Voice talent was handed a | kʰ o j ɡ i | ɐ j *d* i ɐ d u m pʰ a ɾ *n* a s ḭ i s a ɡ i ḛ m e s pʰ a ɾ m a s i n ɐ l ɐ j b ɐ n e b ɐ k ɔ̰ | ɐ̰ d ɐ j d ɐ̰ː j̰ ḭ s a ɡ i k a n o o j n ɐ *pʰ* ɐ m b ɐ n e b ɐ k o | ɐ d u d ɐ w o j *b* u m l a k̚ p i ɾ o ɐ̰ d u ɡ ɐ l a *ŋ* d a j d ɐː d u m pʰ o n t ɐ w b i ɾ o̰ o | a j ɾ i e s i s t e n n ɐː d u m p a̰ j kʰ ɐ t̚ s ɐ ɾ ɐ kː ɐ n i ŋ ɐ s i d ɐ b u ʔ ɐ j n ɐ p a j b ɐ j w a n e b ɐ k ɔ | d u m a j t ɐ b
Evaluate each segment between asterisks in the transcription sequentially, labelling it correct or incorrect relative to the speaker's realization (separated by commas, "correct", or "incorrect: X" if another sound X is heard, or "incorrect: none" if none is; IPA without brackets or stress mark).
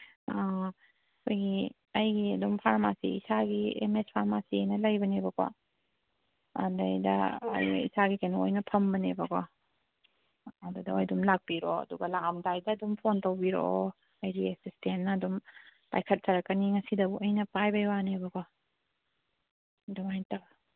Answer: incorrect: ɡ, incorrect: m, correct, incorrect: d, incorrect: m